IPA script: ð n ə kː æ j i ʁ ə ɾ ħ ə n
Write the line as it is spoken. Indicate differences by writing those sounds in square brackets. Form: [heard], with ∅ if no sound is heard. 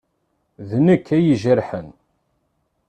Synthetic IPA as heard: ð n ə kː æ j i [ʒ] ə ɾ ħ ə n